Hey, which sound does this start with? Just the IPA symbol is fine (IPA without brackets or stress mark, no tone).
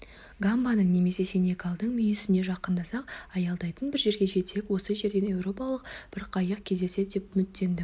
ɡ